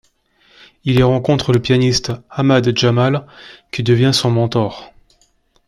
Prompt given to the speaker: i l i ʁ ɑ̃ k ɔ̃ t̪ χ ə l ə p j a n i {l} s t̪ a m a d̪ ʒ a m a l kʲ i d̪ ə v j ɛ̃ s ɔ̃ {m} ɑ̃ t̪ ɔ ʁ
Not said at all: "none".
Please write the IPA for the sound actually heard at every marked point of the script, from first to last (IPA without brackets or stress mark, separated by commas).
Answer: none, m